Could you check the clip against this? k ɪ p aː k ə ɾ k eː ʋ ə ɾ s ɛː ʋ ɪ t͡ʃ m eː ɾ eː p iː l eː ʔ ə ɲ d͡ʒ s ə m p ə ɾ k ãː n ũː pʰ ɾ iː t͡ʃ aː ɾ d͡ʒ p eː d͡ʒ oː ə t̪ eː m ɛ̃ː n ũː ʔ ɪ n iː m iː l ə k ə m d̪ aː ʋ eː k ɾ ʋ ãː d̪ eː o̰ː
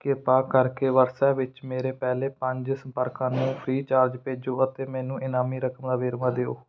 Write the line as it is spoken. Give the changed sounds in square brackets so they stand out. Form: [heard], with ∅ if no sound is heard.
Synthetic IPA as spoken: k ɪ p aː k ə ɾ k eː ʋ ə ɾ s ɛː ʋ ɪ t͡ʃ m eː ɾ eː p [ɛː] l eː [p] ə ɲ d͡ʒ s ə m p ə ɾ k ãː n ũː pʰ ɾ iː t͡ʃ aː ɾ d͡ʒ p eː d͡ʒ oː ə t̪ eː m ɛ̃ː n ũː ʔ ɪ n [aː] m iː [ɾ] ə k ə m d̪ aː ʋ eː [∅] ɾ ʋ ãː d̪ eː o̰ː